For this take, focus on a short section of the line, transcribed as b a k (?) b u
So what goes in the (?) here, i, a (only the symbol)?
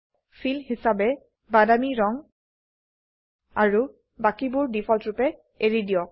i